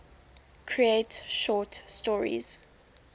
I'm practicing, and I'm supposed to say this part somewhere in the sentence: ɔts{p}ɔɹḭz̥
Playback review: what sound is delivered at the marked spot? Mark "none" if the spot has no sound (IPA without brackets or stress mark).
t